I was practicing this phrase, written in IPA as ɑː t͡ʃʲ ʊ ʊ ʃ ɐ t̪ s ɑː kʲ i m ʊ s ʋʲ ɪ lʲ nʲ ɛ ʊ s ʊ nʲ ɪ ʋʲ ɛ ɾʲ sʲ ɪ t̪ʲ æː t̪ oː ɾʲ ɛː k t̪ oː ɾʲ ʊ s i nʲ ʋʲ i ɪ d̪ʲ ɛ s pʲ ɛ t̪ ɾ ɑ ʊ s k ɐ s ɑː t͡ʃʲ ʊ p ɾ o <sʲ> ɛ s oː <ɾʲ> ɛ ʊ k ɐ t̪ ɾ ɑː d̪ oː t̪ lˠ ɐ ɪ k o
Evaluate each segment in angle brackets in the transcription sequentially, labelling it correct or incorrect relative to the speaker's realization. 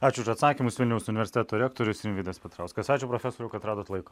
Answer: incorrect, correct

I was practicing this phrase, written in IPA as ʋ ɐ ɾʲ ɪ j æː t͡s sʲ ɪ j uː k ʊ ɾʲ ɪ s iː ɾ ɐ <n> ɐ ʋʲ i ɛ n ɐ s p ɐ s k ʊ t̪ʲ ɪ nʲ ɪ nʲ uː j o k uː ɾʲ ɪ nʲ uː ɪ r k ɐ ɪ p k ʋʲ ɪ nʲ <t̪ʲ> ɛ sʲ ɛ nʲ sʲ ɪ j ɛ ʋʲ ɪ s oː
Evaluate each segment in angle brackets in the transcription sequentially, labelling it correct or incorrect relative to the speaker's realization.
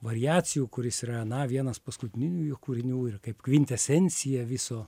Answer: correct, correct

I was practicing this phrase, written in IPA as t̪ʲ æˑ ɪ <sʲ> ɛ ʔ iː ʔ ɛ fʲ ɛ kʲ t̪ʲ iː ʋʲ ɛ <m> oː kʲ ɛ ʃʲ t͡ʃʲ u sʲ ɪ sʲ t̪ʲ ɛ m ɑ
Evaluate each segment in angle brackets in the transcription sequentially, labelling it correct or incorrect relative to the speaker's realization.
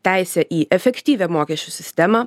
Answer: correct, correct

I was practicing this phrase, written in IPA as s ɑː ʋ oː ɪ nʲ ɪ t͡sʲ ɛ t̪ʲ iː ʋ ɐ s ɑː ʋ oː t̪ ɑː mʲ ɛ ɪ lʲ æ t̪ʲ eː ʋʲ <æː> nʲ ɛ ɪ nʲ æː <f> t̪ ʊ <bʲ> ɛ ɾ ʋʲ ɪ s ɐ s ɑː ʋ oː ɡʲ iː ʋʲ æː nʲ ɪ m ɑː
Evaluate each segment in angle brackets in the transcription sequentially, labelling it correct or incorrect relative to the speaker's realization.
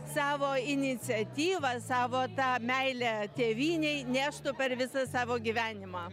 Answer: incorrect, incorrect, incorrect

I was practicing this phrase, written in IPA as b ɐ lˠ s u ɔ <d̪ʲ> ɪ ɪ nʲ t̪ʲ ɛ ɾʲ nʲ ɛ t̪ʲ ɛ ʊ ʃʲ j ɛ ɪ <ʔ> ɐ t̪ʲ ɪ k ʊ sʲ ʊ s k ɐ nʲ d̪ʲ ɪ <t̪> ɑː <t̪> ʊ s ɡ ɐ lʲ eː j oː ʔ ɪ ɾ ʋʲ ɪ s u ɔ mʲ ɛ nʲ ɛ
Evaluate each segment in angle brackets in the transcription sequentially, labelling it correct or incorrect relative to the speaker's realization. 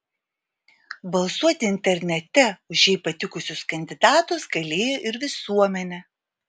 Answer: incorrect, incorrect, incorrect, correct

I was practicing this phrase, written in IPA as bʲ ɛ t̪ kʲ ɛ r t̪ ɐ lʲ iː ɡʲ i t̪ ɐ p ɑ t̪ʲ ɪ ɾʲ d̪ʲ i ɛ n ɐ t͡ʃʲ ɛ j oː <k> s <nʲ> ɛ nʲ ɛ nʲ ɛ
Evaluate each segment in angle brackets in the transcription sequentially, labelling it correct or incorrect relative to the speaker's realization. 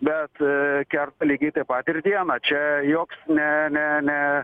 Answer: correct, correct

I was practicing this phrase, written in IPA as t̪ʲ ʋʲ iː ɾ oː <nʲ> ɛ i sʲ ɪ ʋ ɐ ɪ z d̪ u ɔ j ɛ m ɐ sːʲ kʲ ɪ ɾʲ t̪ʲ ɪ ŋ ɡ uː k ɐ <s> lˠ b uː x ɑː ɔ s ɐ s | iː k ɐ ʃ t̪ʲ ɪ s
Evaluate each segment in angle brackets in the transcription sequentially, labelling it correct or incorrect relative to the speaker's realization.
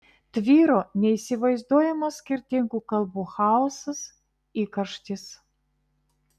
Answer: correct, incorrect

